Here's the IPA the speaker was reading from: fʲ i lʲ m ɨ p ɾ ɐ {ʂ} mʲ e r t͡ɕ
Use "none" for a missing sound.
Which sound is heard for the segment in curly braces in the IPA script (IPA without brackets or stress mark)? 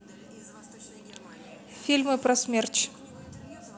s